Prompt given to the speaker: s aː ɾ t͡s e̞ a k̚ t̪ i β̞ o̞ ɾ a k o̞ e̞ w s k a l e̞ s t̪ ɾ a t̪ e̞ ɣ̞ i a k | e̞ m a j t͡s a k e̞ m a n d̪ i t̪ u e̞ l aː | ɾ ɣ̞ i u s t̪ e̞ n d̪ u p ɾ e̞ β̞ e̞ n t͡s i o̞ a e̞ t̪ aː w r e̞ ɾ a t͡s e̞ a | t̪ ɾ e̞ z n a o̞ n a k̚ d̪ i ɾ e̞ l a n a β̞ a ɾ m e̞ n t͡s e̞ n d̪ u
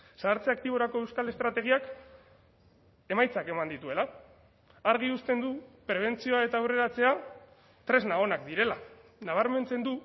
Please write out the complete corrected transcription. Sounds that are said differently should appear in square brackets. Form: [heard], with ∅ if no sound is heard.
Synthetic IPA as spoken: s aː ɾ t͡s e̞ a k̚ t̪ i β̞ o̞ ɾ a k o̞ e̞ w s k a l e̞ s t̪ ɾ a t̪ e̞ ɣ̞ i a k | e̞ m a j t͡s a k e̞ m a n d̪ i t̪ u e̞ l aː | ɾ ɣ̞ i u s t̪ e̞ n d̪ u p ɾ e̞ β̞ e̞ n t͡s i o̞ a e̞ t̪ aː w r e̞ ɾ a t͡s e̞ a | t̪ ɾ e̞ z n a o̞ n a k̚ d̪ i ɾ e̞ l a n a β̞ a ɾ m e̞ n t͡s e̞ n d̪ u